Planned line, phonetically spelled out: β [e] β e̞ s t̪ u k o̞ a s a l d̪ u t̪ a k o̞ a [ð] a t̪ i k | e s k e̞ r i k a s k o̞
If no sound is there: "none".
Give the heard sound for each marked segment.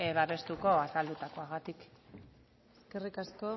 a, ɣ

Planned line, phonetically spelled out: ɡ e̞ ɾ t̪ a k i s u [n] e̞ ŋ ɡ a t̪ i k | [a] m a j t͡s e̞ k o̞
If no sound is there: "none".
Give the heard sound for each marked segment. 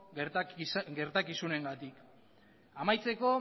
n, a

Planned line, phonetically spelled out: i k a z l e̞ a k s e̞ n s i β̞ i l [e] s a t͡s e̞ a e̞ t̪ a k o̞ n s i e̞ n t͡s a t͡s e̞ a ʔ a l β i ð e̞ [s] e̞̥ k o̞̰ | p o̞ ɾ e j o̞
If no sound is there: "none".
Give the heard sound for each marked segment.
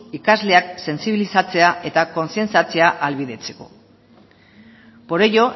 i, t͡s

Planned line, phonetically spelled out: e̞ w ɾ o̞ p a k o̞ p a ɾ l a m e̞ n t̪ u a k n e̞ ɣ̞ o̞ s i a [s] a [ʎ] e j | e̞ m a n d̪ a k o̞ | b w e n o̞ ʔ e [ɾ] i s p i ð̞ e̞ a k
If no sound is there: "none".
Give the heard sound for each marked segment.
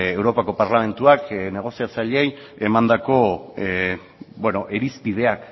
t͡s, ʎ, ɾ

